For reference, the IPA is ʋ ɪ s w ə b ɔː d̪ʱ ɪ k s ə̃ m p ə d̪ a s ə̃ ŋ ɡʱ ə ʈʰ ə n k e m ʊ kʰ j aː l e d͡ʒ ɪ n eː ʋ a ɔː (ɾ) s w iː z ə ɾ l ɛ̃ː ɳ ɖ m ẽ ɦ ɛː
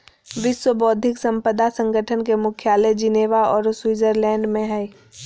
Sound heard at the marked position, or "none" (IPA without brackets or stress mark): ɾ